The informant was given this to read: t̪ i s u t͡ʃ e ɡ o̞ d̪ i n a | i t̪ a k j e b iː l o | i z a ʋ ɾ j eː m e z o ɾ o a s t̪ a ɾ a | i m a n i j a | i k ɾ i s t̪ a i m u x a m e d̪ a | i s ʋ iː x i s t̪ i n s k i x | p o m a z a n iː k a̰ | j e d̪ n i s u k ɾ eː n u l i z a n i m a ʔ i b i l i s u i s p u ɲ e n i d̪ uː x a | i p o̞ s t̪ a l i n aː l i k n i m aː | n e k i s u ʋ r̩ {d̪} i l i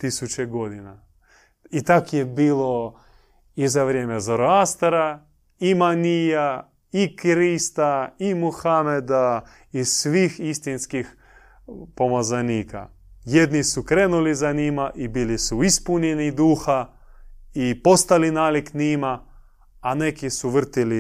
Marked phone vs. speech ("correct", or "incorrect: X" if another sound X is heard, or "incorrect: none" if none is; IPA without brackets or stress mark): incorrect: t̪